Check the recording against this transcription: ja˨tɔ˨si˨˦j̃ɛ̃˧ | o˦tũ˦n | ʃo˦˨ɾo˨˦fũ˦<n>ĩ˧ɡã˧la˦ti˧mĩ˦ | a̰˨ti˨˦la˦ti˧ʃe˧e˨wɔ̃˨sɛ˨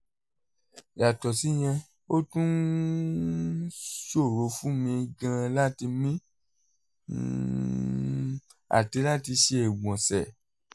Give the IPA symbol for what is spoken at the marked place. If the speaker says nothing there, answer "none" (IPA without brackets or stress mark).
m